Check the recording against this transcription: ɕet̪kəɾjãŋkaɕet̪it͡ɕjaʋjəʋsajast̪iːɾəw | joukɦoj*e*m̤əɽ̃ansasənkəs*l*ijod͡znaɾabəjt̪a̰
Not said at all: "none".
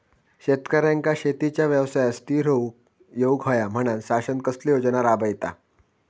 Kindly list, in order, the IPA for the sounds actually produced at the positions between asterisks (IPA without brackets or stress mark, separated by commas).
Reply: a, l